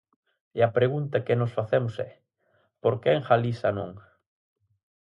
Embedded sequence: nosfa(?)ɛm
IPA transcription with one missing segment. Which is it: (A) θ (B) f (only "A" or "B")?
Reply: A